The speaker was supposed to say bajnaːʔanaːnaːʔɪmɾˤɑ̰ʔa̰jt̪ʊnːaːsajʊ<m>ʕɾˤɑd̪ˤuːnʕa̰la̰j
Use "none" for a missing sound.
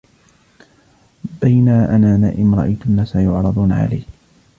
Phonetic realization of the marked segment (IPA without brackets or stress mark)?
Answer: none